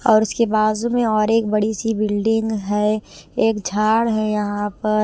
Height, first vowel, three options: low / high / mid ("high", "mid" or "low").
mid